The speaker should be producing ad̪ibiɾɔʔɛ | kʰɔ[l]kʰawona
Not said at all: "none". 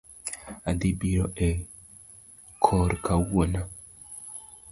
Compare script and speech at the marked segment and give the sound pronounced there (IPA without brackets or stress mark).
ɾ